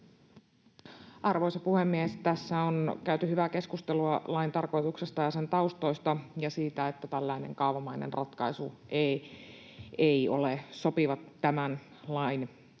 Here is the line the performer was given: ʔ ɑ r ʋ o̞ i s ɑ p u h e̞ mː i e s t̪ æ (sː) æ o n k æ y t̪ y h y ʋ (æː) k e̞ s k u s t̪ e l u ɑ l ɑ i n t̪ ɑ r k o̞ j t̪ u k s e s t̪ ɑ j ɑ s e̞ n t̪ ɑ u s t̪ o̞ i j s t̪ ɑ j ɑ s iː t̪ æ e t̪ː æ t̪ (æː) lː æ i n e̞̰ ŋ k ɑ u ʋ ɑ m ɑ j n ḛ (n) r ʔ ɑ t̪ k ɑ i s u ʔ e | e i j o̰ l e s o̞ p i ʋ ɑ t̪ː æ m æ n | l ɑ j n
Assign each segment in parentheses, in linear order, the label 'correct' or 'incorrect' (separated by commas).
correct, incorrect, incorrect, correct